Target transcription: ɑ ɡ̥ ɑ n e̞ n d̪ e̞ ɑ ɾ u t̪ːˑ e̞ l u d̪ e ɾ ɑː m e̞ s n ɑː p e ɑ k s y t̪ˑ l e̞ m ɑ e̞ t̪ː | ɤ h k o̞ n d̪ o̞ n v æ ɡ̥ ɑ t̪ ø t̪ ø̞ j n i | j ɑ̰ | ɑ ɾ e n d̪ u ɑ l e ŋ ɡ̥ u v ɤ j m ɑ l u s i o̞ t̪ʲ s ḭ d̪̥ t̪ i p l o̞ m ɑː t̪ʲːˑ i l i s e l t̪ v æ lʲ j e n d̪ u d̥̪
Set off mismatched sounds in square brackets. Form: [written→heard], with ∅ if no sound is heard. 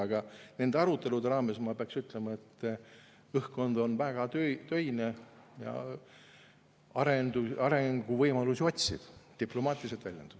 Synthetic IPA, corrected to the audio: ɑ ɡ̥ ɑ n e̞ n d̪ e̞ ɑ ɾ u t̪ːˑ e̞ l u d̪ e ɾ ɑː m e̞ s [n→m] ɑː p e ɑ k s y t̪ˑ l e̞ m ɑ e̞ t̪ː | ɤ h k o̞ n d̪ o̞ n v æ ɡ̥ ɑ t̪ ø t̪ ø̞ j n [i→e] | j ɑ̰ | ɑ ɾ e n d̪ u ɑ [l→ɾ] e ŋ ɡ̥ u v ɤ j m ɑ l u s i o̞ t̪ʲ s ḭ d̪̥ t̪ i p l o̞ m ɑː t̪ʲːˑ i l i s e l t̪ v æ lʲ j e n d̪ u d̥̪